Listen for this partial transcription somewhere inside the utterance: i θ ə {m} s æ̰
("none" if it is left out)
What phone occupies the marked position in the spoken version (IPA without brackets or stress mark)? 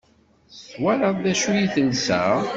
n